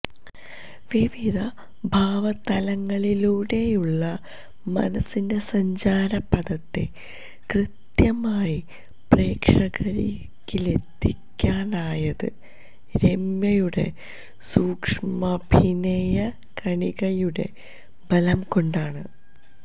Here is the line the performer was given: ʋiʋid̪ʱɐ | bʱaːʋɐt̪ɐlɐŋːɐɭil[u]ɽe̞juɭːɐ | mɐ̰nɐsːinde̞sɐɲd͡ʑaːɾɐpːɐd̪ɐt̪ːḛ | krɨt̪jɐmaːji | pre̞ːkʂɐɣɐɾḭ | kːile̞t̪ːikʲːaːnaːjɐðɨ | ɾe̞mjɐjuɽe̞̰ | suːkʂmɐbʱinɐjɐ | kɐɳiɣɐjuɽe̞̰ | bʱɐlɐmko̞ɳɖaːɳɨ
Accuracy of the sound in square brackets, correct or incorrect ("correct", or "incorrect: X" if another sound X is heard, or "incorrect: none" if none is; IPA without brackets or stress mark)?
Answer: incorrect: uː